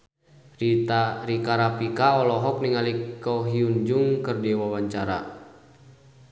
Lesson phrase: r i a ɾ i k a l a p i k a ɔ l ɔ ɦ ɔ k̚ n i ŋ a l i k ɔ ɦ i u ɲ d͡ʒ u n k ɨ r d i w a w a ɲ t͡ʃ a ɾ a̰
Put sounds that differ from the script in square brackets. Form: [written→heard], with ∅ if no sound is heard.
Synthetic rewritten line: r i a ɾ i k a [l→ɾ] a p i k a ɔ l ɔ ɦ ɔ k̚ n i ŋ a l i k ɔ ɦ i u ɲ d͡ʒ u [n→ŋ] k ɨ r d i w a w a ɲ t͡ʃ a ɾ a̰